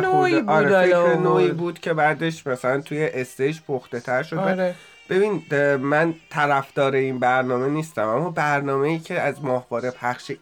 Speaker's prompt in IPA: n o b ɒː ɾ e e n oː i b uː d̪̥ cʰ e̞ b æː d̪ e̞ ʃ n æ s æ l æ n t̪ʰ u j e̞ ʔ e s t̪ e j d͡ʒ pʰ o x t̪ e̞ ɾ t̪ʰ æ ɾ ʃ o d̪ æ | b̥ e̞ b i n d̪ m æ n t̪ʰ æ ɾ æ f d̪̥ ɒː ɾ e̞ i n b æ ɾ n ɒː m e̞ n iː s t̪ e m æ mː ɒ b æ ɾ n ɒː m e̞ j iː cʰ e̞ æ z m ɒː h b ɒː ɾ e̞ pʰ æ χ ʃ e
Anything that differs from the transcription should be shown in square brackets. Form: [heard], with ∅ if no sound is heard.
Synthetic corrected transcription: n o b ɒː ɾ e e n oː i b uː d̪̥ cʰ e̞ b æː d̪ e̞ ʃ [m] æ s æ l æ n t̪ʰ u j e̞ ʔ e s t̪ e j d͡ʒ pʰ o x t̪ e̞ [∅] t̪ʰ æ ɾ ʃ o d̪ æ | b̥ e̞ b i n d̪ m æ n t̪ʰ æ ɾ æ f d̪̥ ɒː ɾ e̞ i n b æ ɾ n ɒː m e̞ n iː s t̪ [æ] m æ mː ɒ b æ ɾ n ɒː m e̞ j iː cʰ e̞ æ z m ɒː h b ɒː ɾ e̞ pʰ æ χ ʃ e